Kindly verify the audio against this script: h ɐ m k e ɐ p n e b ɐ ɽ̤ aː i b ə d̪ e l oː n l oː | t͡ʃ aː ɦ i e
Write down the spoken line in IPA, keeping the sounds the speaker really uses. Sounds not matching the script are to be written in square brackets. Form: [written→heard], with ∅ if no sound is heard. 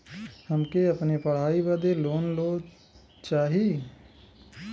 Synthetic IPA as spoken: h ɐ m k e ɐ p n e [b→p] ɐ ɽ̤ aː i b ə d̪ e l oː n l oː | t͡ʃ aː ɦ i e

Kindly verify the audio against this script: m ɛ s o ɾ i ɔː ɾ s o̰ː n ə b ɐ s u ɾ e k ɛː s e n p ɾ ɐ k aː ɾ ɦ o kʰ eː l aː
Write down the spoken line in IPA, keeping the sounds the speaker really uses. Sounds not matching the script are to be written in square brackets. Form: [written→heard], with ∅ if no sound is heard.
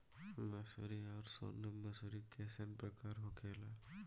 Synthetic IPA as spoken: m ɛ s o ɾ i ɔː ɾ s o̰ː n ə [b→m] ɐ s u ɾ [e→i] k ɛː s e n p ɾ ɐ k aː ɾ ɦ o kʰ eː l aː

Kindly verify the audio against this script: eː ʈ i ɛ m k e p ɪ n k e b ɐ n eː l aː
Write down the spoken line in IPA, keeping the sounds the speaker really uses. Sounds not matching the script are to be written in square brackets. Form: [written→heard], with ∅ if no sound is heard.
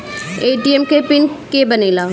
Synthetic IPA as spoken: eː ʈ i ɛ m k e p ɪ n k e b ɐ n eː l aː

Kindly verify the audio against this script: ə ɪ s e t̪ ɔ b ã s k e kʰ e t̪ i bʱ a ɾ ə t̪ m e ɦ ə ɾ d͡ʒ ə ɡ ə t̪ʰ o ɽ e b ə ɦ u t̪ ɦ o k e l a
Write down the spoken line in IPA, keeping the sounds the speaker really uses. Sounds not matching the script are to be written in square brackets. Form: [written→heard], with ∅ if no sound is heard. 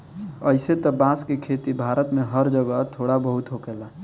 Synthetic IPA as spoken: ə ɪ s e t̪ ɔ b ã s k e kʰ e t̪ i bʱ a ɾ ə t̪ m e ɦ ə ɾ d͡ʒ ə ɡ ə t̪ʰ o ɽ [e→a] b ə ɦ u t̪ ɦ o k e l a

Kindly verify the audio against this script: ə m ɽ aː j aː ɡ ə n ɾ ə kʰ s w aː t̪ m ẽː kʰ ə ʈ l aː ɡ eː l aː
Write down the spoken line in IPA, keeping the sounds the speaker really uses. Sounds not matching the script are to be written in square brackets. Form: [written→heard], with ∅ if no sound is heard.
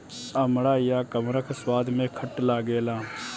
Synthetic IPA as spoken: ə m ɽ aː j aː [ɡ→k] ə [n→m] ɾ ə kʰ s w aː [t̪→d̪] m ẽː kʰ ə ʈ l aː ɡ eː l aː

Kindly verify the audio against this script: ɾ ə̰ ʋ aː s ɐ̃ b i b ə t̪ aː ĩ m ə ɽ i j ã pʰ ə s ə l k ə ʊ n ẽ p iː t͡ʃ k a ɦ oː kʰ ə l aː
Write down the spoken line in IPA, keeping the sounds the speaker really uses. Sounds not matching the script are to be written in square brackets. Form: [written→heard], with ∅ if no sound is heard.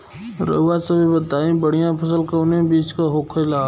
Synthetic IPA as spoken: ɾ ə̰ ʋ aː s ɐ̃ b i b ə t̪ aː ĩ [m→b] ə ɽ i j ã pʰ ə s ə l k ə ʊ n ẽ [p→b] iː t͡ʃ k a ɦ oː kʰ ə l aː

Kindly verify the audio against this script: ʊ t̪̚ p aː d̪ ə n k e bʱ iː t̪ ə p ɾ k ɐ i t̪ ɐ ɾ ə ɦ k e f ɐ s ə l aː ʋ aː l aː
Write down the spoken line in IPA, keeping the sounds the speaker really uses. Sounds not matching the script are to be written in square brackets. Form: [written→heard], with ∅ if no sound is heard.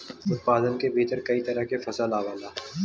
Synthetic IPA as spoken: ʊ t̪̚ p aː d̪ ə n k e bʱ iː t̪ ə [p→∅] ɾ k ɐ i t̪ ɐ ɾ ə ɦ k e f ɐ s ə l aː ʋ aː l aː

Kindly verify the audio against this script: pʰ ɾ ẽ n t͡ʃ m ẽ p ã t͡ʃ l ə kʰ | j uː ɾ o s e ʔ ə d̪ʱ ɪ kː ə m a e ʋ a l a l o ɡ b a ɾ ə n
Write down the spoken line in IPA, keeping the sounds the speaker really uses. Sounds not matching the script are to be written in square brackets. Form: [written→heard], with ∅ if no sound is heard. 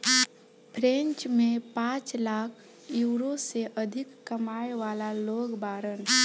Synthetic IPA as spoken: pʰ ɾ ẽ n t͡ʃ m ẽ p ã t͡ʃ l [ə→a] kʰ | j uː ɾ o s e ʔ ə d̪ʱ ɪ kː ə m a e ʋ a l a l o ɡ b a ɾ ə n

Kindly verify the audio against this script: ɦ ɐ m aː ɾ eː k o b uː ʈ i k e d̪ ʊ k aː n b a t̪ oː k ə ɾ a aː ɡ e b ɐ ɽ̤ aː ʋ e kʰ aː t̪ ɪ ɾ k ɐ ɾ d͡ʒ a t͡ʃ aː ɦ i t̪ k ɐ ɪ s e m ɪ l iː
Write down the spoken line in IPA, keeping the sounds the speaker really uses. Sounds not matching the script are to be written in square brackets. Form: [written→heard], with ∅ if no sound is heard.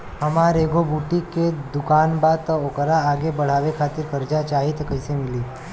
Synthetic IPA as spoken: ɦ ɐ m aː ɾ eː [k→ɡ] o b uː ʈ i k e d̪ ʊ k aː n b a t̪ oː k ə ɾ a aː ɡ e b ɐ ɽ̤ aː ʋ e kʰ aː t̪ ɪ ɾ k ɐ ɾ d͡ʒ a t͡ʃ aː ɦ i t̪ k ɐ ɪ s e m ɪ l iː

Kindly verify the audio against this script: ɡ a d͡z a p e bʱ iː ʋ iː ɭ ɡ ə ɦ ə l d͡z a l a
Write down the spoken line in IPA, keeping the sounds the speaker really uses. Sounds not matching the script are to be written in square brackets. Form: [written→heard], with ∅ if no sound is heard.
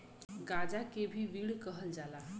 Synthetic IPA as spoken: ɡ a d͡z a [p→k] e bʱ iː ʋ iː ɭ [ɡ→k] ə ɦ ə l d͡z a l a

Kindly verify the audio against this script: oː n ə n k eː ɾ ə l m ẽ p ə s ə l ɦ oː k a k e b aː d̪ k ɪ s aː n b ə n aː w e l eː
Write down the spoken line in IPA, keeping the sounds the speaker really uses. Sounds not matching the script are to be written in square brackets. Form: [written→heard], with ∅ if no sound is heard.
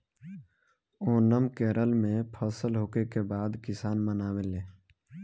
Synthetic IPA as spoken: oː n ə [n→m] k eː ɾ ə l m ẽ [p→pʰ] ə s ə l ɦ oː k [a→e] k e b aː d̪ k ɪ s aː n [b→m] ə n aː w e l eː

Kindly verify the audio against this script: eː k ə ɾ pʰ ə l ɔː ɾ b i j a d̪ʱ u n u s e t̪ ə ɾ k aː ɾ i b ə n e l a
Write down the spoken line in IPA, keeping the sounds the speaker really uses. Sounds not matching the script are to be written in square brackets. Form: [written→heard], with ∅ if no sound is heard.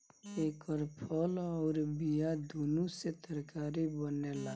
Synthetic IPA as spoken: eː k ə ɾ pʰ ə l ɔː ɾ b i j a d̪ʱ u n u s e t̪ ə ɾ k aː ɾ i b ə n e l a

